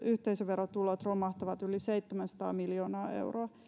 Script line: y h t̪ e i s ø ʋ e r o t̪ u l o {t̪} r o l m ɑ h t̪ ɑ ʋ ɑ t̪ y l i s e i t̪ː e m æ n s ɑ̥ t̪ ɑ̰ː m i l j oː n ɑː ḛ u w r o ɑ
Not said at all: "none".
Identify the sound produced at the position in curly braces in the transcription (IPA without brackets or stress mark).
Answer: t̪